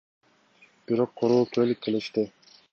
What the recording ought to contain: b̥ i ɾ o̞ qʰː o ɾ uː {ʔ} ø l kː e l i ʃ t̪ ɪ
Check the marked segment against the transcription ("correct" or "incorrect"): incorrect